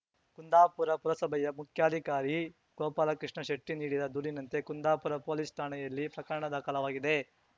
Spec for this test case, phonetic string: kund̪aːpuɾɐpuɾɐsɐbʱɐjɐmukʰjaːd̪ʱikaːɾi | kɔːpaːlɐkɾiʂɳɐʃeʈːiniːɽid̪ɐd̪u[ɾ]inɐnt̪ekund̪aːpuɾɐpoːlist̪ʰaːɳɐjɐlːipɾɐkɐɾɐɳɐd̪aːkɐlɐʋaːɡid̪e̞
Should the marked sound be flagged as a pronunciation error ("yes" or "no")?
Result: no